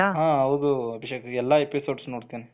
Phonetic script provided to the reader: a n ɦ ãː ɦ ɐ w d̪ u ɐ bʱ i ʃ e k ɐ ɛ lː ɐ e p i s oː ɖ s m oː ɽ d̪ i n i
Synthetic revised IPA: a ɦ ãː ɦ ɐ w d̪ u ɐ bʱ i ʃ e k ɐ ɛ lː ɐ e p i s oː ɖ s n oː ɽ t̪ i n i